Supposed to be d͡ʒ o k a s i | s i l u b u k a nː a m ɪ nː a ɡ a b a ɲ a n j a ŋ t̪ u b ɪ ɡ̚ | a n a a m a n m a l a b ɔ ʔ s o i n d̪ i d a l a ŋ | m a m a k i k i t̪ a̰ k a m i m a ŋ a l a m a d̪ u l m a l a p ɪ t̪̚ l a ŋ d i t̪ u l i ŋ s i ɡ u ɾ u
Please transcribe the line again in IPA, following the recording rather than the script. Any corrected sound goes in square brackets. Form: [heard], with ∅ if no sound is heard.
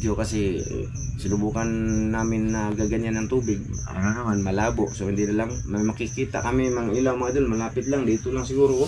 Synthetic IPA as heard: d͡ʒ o k a s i | s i l u b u k a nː a m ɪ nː a ɡ a [ɡ] a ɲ a n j a ŋ t̪ u b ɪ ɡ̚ | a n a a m a n m a l a b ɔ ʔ s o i n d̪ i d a l a ŋ | m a m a k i k i t̪ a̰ k a m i m a ŋ [i] l a m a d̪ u l m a l a p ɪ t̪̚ l a ŋ d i t̪ u l [a] ŋ s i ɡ u ɾ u

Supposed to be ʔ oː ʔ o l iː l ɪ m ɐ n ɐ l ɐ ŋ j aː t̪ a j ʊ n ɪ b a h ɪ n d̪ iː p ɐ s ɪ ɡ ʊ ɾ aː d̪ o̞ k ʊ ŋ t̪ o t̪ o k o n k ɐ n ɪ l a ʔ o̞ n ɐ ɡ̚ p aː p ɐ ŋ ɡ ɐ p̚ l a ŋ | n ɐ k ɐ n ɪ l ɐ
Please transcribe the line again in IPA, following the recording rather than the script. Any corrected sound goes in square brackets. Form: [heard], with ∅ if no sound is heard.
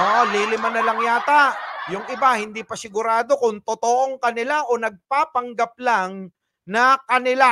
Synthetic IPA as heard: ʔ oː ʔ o l iː l ɪ m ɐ n ɐ l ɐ ŋ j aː t̪ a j ʊ [ŋ] ɪ b a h ɪ n d̪ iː p ɐ s ɪ ɡ ʊ ɾ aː d̪ o̞ k ʊ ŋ t̪ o t̪ o [ʔ] o [ŋ] k ɐ n ɪ l a ʔ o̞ n ɐ ɡ̚ p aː p ɐ ŋ ɡ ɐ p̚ l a ŋ | n ɐ k ɐ n ɪ l [a]

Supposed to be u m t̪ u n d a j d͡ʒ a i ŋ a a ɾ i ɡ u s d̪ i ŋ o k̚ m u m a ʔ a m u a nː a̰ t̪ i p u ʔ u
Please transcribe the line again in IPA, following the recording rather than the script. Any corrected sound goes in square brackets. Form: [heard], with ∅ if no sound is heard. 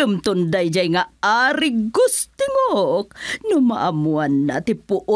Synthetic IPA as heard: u m t̪ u n d a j d͡ʒ a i ŋ a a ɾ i ɡ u s [t̪] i ŋ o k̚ [n] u m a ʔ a m u a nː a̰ t̪ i p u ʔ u

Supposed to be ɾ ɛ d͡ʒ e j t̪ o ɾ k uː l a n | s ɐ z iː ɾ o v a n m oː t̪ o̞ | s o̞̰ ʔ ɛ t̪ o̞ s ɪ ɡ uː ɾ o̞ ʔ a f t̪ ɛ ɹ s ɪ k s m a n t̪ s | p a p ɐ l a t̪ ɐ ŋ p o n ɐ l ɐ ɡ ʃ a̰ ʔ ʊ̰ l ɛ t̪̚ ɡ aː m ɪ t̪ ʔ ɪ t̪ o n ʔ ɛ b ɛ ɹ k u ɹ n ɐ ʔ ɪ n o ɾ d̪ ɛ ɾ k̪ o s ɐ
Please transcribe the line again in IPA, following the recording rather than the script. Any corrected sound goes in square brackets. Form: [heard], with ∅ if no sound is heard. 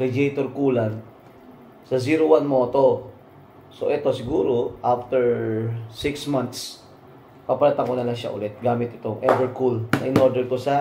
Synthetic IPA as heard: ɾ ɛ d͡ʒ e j t̪ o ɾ k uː l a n | s ɐ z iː ɾ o [w] a n m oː t̪ o̞ | s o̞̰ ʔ ɛ t̪ o̞ s ɪ ɡ uː ɾ o̞ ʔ a f t̪ ɛ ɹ s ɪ k s m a n t̪ s | p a p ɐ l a t̪ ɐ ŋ [k] o n ɐ l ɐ [ŋ] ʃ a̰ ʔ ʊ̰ l ɛ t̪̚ ɡ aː m ɪ t̪ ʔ ɪ t̪ o [ŋ] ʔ ɛ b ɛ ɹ k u [l] n ɐ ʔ ɪ n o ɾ d̪ ɛ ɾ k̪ o s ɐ

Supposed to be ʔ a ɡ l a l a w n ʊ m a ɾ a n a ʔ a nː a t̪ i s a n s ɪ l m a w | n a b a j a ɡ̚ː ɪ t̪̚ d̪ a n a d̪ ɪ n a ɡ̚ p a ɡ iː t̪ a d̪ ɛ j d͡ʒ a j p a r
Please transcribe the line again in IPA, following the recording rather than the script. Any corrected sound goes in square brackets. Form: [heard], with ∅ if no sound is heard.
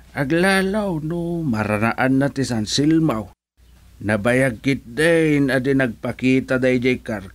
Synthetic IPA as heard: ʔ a ɡ l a l a w n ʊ m a ɾ a n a ʔ a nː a t̪ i s a n s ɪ l m a w | n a b a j a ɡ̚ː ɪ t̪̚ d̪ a n a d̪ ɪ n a ɡ̚ p a [k] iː t̪ a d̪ [a] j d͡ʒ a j [k] a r

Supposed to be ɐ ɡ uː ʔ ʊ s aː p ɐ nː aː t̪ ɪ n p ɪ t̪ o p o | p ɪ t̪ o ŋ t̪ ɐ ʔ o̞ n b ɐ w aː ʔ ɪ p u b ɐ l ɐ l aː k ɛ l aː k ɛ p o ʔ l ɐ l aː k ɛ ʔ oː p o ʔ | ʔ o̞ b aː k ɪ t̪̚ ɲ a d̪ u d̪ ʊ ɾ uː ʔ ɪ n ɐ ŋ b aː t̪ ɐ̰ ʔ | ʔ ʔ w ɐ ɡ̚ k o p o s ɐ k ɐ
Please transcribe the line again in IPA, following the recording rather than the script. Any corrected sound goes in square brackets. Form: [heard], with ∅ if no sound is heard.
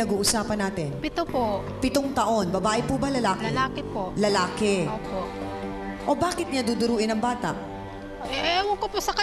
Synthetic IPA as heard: ɐ ɡ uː ʔ ʊ s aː p ɐ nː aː t̪ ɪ n p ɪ t̪ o p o | p ɪ t̪ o ŋ t̪ ɐ ʔ o̞ n b ɐ [b] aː ʔ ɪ p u b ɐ l ɐ l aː k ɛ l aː k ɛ p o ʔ l ɐ l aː k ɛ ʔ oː p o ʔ | ʔ o̞ b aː k ɪ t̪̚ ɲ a d̪ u d̪ ʊ ɾ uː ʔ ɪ n ɐ ŋ b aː t̪ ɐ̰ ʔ | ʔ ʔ w ɐ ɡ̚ k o p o s ɐ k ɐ

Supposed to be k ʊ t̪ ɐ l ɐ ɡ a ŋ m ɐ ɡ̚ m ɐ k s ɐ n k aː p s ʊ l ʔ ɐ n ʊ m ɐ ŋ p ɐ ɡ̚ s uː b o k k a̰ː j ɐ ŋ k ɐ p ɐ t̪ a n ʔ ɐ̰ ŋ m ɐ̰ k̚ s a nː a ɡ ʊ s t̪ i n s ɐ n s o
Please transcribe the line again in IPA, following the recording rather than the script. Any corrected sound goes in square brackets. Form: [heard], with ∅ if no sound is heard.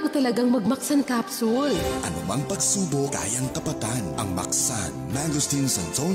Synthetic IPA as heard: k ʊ t̪ ɐ l ɐ ɡ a ŋ m ɐ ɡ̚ m ɐ k s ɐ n k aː p s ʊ l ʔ ɐ n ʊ m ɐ ŋ p ɐ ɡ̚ s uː b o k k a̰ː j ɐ ŋ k ɐ p ɐ t̪ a n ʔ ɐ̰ ŋ m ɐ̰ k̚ s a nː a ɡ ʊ s t̪ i n s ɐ n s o

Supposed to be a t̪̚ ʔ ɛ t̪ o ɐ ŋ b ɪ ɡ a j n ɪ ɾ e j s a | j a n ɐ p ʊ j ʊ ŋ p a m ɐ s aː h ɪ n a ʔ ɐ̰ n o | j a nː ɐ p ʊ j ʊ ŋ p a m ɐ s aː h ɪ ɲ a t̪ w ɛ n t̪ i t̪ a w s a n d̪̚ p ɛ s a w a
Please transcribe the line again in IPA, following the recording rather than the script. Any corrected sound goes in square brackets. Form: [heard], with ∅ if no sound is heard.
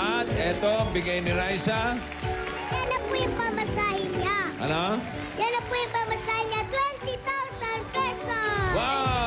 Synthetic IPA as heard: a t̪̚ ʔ ɛ t̪ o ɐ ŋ b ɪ ɡ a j n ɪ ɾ [a] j s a | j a n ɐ p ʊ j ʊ ŋ p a m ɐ s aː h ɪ [ɲ] a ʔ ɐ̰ n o | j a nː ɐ p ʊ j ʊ ŋ p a m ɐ s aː h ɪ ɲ a t̪ w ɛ n t̪ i t̪ a w s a n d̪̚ p ɛ s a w a

